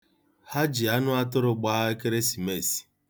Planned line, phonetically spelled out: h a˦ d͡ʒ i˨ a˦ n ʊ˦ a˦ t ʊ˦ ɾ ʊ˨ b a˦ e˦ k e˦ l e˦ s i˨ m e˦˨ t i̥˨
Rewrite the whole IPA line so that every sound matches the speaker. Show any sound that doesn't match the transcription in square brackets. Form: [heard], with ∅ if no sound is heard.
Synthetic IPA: h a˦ d͡ʒ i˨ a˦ n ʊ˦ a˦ t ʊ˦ ɾ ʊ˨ [ɡ͡b] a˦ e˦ k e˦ [ɾ] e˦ s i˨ m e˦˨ [s] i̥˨